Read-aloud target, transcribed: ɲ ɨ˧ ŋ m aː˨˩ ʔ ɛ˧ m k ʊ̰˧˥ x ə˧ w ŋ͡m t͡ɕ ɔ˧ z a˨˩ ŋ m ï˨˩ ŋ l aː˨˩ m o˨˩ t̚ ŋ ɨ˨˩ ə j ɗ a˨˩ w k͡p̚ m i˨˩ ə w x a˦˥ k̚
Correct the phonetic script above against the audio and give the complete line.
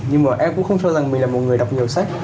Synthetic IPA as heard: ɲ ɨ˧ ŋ m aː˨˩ ʔ ɛ˧ m k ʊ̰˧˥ x ə˧ w ŋ͡m t͡ɕ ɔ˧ z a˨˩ ŋ m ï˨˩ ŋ l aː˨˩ m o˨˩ t̚ ŋ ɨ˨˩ ə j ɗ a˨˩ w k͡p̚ ɲ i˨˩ ə w s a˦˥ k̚